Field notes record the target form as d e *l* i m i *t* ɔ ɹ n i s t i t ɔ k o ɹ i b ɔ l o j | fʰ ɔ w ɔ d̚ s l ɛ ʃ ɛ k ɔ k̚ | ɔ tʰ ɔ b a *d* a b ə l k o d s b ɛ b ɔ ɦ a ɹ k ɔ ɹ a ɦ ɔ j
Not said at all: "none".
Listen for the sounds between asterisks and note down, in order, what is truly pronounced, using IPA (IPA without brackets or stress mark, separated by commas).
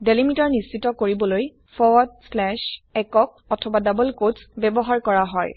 l, t, d